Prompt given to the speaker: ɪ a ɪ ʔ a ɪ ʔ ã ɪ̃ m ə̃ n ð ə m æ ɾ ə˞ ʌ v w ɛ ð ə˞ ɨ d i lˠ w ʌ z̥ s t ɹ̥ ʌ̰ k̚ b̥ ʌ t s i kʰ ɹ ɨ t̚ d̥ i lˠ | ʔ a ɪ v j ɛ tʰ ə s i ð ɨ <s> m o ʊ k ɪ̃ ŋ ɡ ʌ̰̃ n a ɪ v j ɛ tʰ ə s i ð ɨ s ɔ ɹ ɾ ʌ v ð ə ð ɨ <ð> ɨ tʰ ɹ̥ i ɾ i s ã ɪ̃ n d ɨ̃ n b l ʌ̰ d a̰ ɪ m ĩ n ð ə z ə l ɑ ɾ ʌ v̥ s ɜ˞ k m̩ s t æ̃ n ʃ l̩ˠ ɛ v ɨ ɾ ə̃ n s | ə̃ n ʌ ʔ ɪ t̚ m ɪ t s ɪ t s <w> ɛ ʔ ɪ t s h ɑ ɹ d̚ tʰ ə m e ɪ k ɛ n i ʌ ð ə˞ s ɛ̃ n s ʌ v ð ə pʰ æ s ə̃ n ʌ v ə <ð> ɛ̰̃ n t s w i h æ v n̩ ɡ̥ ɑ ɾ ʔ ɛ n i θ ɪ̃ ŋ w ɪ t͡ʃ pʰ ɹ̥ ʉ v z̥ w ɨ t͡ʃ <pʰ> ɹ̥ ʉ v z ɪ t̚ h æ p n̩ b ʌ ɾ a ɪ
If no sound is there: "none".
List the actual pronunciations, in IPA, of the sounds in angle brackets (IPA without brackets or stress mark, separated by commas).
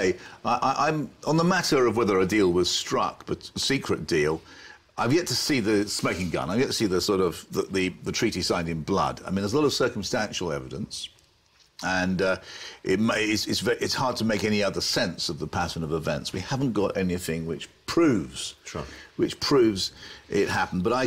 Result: s, ð, v, v, pʰ